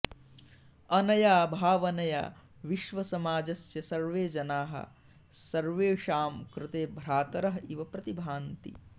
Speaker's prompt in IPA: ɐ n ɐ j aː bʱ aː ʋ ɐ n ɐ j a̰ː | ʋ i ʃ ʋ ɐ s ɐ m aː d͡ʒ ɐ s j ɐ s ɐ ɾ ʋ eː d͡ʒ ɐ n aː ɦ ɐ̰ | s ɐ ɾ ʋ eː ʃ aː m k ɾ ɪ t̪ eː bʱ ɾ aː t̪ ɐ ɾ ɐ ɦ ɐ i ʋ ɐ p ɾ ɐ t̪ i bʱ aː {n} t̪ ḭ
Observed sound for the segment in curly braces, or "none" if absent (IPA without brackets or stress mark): n